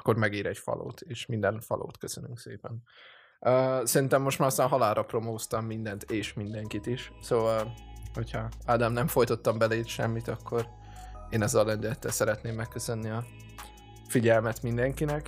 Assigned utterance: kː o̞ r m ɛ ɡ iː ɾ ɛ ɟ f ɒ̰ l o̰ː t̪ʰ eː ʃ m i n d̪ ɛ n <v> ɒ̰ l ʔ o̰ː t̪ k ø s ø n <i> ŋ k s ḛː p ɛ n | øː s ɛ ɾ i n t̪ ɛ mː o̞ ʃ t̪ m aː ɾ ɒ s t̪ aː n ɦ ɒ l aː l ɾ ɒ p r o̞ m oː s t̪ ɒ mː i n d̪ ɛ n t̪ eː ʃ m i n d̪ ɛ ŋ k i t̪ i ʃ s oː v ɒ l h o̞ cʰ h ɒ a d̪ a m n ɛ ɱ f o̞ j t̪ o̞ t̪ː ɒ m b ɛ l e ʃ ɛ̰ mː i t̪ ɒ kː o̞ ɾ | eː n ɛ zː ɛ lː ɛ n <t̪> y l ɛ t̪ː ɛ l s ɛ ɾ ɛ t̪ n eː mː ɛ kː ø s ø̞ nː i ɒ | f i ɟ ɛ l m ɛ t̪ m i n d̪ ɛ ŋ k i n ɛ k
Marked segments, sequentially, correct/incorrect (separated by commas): incorrect, incorrect, incorrect